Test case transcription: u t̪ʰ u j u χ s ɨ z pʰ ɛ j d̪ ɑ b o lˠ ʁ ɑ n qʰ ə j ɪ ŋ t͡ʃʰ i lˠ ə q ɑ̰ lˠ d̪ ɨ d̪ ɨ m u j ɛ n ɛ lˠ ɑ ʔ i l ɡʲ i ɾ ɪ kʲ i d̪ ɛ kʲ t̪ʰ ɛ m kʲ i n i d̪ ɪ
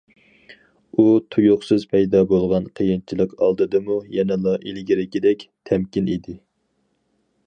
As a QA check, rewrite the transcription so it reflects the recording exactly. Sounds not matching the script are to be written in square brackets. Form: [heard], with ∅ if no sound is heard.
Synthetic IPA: u t̪ʰ u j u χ s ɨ z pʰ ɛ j d̪ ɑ b o lˠ ʁ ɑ n qʰ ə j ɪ [n] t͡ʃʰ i lˠ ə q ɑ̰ lˠ d̪ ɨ d̪ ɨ m u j ɛ n ɛ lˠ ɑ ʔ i l ɡʲ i ɾ ɪ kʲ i d̪ ɛ kʲ t̪ʰ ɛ m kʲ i n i d̪ ɪ